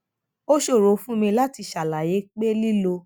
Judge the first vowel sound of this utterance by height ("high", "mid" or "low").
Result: mid